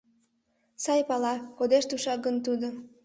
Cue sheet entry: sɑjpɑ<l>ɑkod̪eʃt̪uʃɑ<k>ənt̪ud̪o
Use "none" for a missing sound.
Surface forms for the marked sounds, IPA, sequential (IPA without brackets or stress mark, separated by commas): l, ɡ